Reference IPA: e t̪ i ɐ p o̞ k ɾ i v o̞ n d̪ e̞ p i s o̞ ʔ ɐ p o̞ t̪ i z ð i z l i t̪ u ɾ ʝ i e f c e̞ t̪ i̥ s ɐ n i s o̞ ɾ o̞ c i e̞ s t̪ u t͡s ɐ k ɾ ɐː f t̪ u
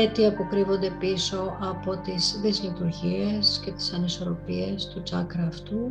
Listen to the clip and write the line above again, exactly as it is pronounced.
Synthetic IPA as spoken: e t̪ i ɐ p o̞ k ɾ i v o̞ n d̪ e̞ p i s o̞ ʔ ɐ p o̞ t̪ i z ð i z l i t̪ u ɾ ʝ i e s c e̞ t̪ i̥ s ɐ n i s o̞ ɾ o̞ p i e̞ s t̪ u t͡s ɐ k ɾ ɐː f t̪ u